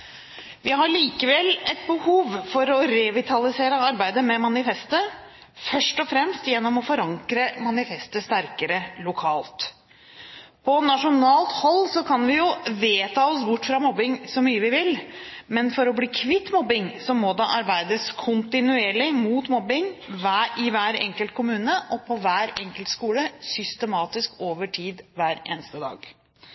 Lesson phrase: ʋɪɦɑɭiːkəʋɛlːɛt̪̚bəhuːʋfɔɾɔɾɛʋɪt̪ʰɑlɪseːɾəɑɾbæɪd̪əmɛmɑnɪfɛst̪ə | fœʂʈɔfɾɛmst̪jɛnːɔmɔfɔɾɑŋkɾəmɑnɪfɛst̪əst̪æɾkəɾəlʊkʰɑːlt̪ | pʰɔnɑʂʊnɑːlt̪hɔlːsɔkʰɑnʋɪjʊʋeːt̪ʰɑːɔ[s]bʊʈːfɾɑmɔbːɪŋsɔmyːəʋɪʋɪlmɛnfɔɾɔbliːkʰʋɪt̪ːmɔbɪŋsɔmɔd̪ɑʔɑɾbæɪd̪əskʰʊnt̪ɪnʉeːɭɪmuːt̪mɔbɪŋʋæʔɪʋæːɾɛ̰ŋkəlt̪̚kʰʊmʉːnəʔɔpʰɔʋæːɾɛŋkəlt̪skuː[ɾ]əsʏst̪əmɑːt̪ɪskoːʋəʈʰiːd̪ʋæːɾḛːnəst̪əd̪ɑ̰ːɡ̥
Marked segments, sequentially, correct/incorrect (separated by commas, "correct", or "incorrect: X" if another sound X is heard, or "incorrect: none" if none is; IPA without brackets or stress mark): correct, incorrect: l